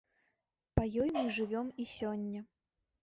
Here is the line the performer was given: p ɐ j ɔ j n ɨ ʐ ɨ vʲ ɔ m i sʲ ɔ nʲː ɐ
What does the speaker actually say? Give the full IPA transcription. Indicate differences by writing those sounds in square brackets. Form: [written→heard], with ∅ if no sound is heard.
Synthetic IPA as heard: p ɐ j ɔ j [n→m] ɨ ʐ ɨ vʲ ɔ m i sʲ ɔ nʲː ɐ